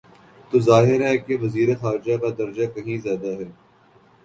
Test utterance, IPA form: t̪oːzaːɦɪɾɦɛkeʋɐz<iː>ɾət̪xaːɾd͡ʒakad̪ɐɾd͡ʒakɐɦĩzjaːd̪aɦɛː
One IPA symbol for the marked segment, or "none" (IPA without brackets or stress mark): iː